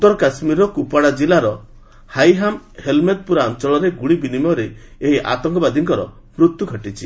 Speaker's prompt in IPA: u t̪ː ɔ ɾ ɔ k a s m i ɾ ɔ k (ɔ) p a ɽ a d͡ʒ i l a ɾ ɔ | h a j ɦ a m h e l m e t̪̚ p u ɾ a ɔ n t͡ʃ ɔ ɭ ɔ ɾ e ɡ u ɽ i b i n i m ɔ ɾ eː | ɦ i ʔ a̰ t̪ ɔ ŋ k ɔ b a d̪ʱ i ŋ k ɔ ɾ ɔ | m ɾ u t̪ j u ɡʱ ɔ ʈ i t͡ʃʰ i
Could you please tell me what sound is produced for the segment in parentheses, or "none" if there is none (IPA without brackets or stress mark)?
u